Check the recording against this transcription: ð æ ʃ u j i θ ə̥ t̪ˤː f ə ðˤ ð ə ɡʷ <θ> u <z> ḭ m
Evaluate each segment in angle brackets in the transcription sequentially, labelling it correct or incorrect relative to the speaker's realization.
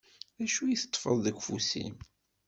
incorrect: f, incorrect: s

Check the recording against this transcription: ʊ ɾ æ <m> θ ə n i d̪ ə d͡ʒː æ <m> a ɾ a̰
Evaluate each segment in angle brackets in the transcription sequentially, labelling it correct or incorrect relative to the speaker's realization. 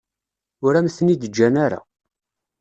correct, incorrect: n

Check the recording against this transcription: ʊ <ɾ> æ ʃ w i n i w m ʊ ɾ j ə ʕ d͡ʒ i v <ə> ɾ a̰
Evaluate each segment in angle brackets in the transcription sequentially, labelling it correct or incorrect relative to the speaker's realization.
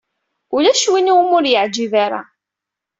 incorrect: l, incorrect: a

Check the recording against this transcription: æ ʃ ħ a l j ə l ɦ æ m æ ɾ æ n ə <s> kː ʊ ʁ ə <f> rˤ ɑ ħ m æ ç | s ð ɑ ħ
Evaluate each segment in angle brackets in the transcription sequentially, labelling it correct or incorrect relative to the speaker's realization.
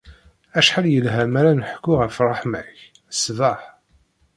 incorrect: ħ, correct

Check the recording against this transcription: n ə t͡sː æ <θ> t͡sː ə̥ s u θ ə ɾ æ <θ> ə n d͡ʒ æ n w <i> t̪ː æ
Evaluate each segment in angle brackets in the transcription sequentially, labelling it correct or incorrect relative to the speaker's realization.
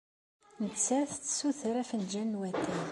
correct, incorrect: f, incorrect: æ

